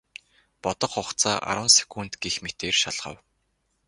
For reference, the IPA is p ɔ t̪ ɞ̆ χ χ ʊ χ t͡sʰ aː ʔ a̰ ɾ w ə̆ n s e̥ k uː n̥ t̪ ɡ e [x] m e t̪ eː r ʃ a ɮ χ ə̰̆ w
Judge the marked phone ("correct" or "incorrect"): correct